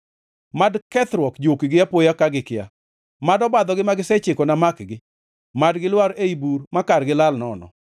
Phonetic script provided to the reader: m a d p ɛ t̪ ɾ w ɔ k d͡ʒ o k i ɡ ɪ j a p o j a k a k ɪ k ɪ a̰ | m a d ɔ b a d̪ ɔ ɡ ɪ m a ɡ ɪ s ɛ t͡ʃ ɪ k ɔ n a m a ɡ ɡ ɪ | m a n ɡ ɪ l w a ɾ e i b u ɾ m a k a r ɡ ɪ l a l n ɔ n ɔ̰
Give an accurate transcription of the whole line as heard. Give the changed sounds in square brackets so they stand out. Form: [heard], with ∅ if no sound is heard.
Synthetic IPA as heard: m a d [k] ɛ t̪ ɾ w ɔ k d͡ʒ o k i ɡ ɪ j a p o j a k a [ɡ] ɪ k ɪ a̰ | m a d ɔ b a d̪ ɔ ɡ ɪ m a ɡ ɪ s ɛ t͡ʃ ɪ k ɔ n a m a [k] ɡ ɪ | m a [d] ɡ ɪ l w a ɾ e i b u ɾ m a k a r ɡ ɪ l a l n ɔ n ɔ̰